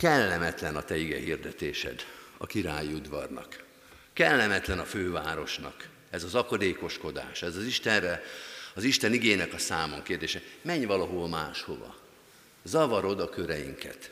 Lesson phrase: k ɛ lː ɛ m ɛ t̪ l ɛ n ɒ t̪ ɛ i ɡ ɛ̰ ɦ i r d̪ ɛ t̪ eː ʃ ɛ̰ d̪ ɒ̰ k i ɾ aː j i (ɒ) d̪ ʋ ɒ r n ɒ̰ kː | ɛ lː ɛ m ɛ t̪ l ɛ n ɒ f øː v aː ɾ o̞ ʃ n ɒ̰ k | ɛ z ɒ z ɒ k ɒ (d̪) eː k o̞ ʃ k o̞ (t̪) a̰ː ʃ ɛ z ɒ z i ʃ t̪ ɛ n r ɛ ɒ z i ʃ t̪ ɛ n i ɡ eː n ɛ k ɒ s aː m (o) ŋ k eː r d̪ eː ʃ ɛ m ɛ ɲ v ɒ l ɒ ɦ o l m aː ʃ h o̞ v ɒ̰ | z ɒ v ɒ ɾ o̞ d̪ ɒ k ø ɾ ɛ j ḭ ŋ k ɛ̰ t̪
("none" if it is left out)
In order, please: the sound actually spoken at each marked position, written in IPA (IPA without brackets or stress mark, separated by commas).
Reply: u, d̪, d̪, o